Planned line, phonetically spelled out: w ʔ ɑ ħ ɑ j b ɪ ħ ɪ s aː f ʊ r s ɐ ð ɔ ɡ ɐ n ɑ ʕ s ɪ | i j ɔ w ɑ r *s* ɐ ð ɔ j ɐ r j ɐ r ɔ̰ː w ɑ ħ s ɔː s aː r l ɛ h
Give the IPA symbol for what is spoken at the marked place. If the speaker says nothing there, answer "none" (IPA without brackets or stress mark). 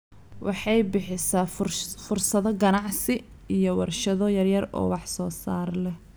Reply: ʃ